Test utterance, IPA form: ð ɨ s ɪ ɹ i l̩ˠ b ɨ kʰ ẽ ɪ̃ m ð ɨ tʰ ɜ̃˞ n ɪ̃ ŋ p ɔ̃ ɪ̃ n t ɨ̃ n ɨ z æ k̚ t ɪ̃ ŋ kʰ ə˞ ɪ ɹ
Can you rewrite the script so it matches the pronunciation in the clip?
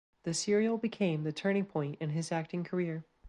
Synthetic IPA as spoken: ð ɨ s ɪ ɹ i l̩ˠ b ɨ kʰ ẽ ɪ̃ m ð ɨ tʰ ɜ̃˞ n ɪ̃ ŋ pʰ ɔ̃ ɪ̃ n t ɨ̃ n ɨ z æ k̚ t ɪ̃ ŋ kʰ ə˞ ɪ ɹ